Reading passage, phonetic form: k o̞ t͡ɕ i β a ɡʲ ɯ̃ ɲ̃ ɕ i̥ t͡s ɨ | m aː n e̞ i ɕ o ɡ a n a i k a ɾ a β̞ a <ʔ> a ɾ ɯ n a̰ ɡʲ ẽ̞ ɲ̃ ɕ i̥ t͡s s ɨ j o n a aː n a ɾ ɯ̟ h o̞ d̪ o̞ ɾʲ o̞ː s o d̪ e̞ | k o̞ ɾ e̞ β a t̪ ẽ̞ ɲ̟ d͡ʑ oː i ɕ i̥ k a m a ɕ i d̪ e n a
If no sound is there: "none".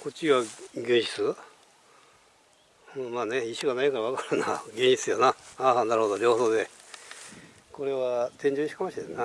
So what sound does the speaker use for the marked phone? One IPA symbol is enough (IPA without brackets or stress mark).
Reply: k